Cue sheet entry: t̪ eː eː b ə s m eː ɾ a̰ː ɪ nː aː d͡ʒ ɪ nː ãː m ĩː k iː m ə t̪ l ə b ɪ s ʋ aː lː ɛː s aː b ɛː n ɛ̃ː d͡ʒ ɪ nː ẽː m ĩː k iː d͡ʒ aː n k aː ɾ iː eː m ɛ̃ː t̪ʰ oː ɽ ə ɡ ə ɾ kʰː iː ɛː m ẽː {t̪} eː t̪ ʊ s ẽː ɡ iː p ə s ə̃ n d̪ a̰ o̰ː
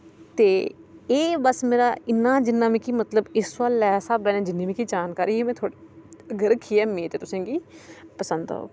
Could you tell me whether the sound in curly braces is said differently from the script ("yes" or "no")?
no